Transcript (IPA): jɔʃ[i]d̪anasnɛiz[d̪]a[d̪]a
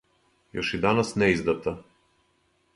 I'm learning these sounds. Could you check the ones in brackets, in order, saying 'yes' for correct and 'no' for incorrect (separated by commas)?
yes, yes, no